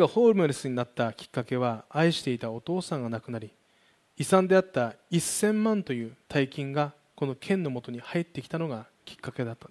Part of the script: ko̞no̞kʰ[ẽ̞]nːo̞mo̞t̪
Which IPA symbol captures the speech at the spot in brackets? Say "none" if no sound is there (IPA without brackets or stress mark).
ẽ̞